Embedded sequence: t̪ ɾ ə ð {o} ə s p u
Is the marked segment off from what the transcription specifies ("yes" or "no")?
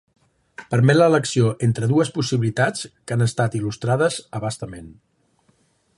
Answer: yes